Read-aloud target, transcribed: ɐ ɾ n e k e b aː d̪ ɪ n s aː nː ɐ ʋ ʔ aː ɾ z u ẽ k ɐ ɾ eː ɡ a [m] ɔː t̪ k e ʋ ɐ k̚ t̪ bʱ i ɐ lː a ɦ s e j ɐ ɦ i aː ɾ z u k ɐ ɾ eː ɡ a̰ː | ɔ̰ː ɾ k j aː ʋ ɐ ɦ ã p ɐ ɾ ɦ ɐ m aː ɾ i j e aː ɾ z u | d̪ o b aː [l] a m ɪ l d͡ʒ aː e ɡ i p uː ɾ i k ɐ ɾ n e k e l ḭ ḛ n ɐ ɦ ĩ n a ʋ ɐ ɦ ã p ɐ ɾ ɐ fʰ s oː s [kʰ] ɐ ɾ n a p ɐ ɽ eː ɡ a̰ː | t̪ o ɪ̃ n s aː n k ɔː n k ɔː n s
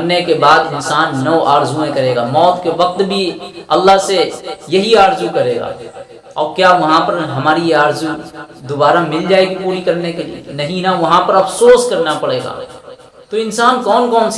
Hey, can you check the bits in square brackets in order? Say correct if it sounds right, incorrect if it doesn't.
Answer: correct, incorrect: ɾ, incorrect: k

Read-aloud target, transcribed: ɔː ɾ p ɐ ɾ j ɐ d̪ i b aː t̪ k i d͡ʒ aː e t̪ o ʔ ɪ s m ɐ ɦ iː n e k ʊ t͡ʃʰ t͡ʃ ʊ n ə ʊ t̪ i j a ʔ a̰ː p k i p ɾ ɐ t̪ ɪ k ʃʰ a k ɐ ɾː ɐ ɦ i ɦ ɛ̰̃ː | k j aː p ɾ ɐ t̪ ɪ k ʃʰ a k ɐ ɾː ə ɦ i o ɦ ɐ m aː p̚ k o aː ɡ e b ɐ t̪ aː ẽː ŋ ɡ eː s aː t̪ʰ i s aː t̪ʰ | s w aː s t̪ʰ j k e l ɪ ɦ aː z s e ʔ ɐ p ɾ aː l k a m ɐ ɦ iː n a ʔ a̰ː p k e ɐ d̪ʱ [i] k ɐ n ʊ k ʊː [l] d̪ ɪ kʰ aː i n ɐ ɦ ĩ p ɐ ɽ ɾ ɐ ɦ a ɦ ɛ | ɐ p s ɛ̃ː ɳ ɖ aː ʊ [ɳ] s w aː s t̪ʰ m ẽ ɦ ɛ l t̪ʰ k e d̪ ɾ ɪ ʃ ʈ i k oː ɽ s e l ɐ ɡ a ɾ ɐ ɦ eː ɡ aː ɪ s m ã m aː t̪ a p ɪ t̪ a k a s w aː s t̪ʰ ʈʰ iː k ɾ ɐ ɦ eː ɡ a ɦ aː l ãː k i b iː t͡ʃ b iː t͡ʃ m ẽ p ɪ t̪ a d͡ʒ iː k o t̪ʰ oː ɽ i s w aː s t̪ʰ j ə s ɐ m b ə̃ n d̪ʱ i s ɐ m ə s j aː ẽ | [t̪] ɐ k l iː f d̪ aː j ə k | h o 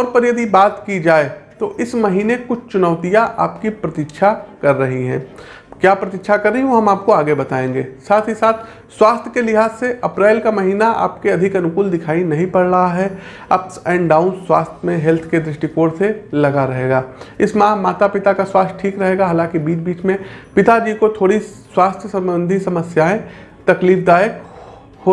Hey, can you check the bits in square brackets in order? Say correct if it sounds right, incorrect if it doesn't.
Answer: incorrect: ɪ, correct, incorrect: n, correct

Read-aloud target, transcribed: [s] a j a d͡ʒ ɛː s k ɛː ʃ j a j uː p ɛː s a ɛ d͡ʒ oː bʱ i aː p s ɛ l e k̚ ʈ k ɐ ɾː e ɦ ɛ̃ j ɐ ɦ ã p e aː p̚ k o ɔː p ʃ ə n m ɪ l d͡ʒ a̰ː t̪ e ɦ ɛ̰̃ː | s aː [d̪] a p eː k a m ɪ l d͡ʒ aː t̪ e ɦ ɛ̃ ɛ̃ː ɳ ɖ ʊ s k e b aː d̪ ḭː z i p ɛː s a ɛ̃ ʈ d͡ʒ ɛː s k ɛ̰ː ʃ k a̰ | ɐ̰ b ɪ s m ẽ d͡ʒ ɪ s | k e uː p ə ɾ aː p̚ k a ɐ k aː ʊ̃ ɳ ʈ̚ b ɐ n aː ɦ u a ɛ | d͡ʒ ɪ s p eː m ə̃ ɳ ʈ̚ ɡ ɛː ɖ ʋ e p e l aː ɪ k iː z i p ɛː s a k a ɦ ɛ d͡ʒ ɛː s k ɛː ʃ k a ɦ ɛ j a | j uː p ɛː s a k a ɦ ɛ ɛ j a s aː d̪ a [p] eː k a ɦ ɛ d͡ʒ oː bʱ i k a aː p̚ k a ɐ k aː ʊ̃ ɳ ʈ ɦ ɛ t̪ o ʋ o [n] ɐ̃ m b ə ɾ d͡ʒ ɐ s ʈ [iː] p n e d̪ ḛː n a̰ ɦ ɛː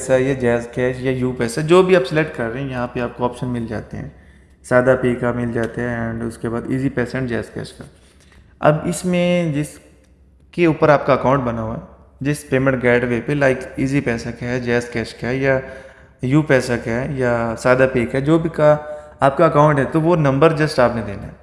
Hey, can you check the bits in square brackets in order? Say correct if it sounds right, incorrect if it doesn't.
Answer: correct, correct, correct, correct, incorrect: aː

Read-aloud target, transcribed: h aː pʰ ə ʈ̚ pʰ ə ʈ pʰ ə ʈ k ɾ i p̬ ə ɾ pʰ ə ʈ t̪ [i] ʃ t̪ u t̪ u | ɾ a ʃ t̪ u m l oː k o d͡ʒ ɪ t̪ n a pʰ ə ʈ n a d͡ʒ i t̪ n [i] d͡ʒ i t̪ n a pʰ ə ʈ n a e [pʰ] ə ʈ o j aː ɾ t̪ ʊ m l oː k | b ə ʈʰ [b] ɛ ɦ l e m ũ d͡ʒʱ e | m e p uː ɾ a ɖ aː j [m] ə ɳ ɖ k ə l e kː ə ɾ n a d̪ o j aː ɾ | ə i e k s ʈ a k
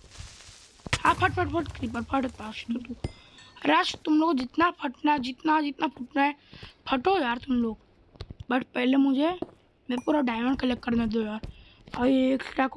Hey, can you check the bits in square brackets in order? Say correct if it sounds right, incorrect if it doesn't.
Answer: incorrect: a, incorrect: a, correct, incorrect: p, correct

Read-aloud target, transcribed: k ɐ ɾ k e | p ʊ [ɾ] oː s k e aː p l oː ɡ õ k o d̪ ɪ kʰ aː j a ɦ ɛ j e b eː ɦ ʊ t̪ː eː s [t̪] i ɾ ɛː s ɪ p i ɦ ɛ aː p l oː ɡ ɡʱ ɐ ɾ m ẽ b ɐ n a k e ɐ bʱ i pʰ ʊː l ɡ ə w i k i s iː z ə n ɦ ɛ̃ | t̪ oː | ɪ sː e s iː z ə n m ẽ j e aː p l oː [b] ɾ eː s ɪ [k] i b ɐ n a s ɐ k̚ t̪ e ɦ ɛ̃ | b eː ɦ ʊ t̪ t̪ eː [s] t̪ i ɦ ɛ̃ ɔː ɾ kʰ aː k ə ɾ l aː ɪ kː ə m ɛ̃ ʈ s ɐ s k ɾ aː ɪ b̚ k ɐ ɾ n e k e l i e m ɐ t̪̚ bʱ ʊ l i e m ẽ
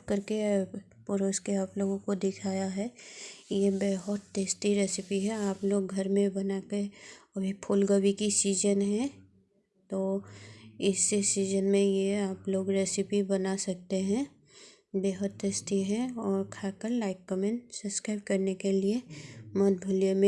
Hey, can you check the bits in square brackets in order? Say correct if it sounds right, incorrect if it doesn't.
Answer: correct, correct, incorrect: ɡ, incorrect: p, correct

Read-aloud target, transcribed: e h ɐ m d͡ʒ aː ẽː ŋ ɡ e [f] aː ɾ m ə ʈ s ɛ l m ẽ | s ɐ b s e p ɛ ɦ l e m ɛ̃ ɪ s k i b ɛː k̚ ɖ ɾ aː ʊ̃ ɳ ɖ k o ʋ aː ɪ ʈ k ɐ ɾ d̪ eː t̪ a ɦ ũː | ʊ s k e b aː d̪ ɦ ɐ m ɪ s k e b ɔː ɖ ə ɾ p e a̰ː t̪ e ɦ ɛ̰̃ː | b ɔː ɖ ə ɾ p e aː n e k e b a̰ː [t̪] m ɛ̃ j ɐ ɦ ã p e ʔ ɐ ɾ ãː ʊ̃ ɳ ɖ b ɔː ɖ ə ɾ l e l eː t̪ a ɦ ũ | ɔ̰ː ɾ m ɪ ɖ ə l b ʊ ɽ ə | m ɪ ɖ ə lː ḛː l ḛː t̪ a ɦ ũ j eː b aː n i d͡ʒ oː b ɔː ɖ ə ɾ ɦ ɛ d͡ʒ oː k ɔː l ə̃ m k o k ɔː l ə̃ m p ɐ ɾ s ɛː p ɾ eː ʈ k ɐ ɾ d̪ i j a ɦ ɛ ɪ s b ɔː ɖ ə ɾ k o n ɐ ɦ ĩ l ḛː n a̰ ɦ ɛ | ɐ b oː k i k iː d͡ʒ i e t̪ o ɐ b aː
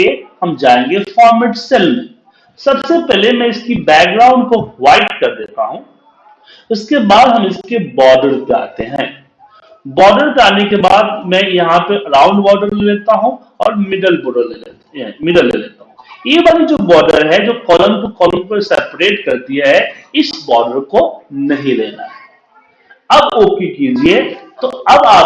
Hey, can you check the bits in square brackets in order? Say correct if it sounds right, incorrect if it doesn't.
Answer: correct, incorrect: d̪

